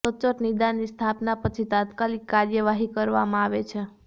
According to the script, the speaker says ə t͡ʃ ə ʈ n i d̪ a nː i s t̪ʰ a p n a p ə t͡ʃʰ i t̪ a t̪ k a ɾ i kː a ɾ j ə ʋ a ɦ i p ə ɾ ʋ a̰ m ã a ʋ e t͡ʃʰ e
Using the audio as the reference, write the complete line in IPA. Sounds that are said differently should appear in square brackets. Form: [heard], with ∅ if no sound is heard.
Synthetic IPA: ə t͡ʃ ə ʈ n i d̪ a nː i s t̪ʰ a p n a p ə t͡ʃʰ i t̪ a t̪ k a [l] i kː a ɾ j ə ʋ a ɦ i [k] ə ɾ ʋ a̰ m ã a ʋ e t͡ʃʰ e